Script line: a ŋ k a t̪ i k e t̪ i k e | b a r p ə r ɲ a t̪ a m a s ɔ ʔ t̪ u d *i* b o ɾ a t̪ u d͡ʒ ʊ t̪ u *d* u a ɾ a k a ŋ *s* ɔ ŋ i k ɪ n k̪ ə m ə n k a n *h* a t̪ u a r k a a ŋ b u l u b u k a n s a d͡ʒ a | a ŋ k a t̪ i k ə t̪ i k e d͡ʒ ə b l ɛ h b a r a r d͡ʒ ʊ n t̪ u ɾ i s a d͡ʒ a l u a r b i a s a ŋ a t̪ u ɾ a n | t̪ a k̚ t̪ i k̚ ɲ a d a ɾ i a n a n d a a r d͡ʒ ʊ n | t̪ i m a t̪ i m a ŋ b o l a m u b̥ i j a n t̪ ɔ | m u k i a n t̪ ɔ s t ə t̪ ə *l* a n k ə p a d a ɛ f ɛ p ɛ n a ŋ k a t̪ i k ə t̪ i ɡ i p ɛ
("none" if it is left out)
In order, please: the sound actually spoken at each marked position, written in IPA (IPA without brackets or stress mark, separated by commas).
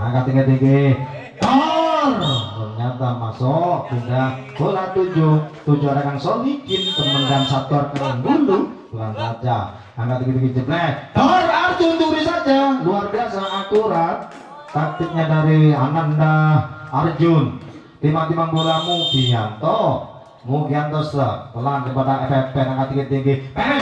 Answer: a, d͡ʒ, s, s, l